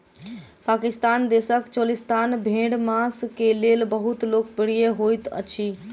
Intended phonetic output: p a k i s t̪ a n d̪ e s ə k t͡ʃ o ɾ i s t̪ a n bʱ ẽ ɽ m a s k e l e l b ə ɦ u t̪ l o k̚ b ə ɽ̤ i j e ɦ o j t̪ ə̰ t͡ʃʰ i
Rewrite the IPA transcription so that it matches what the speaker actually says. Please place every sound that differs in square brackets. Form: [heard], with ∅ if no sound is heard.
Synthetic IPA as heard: p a k i s t̪ a n d̪ e s ə k t͡ʃ o [l] i s t̪ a n bʱ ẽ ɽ m a s k e l e l b ə ɦ u t̪ l o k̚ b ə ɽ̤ i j e ɦ o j t̪ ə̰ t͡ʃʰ i